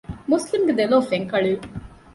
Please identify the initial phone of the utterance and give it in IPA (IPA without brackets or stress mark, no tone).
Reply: m